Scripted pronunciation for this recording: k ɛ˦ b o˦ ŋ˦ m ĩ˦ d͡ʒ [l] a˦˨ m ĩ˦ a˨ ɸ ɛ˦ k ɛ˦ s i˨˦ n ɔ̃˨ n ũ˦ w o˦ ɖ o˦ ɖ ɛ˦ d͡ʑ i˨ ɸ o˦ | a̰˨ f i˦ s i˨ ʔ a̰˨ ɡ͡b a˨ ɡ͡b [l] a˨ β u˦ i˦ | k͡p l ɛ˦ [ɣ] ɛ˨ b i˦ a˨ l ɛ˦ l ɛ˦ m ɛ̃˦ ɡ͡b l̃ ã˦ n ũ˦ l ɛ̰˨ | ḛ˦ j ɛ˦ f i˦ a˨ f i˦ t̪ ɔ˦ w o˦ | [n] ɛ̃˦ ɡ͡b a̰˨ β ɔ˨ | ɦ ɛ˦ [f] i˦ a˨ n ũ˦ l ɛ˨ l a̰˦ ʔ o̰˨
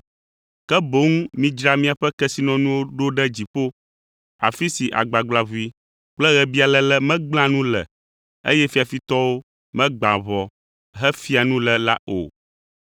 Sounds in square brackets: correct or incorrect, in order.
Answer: incorrect: ɾ, correct, correct, incorrect: m, correct

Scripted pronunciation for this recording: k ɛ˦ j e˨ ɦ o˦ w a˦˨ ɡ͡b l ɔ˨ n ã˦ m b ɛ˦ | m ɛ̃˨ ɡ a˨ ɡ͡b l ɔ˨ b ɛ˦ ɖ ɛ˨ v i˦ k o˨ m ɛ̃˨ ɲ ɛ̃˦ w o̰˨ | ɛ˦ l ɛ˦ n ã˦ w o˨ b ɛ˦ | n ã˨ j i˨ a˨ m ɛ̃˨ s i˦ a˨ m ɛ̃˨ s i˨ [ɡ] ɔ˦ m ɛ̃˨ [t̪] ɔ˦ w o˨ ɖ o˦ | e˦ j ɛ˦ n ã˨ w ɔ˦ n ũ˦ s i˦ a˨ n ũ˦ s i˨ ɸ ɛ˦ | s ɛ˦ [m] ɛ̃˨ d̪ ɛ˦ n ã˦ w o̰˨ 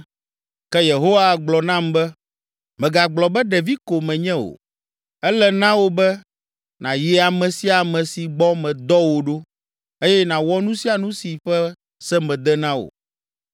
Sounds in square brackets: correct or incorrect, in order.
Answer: incorrect: ɡ͡b, incorrect: d̪, correct

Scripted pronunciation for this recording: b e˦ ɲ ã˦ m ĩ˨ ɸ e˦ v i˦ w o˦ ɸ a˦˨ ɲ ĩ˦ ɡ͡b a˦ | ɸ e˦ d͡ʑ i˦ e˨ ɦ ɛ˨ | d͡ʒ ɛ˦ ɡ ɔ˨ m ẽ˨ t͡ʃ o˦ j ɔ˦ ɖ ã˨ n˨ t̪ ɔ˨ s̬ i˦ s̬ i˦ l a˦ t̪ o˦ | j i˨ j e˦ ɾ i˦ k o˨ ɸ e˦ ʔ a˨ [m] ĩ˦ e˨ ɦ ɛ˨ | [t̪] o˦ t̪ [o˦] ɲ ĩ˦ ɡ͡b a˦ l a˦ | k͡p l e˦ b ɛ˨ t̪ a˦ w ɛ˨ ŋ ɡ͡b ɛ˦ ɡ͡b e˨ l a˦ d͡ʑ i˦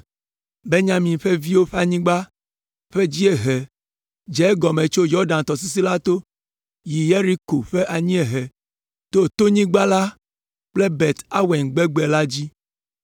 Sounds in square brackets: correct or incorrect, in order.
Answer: incorrect: ɲ, correct, correct

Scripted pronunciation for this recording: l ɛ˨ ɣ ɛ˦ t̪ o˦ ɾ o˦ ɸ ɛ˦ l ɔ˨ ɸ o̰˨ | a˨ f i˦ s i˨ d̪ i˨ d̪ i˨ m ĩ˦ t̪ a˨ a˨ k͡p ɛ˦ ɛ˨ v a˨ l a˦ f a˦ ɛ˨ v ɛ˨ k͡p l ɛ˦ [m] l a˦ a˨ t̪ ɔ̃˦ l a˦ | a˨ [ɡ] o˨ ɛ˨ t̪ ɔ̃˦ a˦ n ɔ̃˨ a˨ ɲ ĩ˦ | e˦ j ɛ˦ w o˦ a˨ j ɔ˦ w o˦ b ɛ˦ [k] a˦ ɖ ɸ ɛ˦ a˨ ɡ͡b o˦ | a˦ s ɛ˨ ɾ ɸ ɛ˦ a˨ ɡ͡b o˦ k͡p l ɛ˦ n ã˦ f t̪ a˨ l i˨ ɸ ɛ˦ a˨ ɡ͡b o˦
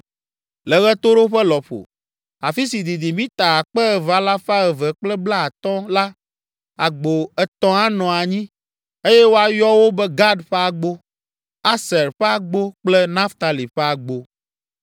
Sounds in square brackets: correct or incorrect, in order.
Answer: incorrect: b, incorrect: ɡ͡b, incorrect: ɡ

